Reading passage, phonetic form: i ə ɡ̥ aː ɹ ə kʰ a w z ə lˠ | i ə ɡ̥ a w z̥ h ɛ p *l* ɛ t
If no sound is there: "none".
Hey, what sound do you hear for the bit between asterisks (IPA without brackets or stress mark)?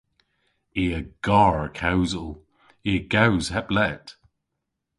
l